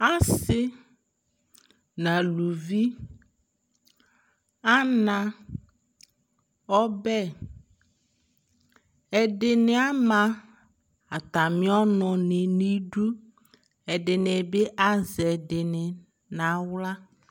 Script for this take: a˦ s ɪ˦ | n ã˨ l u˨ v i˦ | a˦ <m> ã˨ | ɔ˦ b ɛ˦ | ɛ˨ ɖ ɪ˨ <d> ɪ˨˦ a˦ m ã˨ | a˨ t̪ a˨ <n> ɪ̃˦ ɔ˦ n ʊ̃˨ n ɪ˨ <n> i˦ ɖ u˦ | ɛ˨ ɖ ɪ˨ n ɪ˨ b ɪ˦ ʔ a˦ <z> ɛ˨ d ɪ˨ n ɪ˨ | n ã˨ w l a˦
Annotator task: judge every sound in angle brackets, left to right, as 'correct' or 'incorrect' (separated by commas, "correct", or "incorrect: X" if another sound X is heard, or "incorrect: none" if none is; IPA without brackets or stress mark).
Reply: incorrect: n, incorrect: n, incorrect: m, correct, correct